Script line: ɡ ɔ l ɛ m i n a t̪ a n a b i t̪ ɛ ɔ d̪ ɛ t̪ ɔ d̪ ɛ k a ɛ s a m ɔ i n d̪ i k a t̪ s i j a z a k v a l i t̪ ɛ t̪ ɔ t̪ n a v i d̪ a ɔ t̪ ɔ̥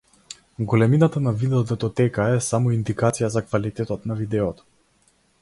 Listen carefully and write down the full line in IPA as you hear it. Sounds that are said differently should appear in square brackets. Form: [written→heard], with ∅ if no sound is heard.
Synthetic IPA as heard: ɡ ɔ l ɛ m i n a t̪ a n a [b→v] i [t̪→d̪] ɛ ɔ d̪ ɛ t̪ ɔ [d̪→t̪] ɛ k a ɛ s a m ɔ i n d̪ i k a t̪ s i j a z a k v a l i t̪ ɛ t̪ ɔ t̪ n a v i d̪ [a→ɛ] ɔ t̪ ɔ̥